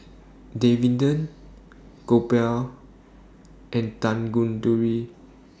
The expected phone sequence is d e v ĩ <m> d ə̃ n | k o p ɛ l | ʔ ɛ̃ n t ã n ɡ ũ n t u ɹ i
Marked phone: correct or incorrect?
incorrect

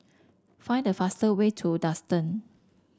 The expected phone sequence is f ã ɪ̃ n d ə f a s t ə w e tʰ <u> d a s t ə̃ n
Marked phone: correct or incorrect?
correct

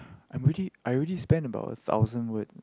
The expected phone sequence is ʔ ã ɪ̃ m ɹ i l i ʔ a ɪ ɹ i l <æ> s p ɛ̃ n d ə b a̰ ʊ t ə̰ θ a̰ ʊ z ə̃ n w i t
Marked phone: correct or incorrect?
incorrect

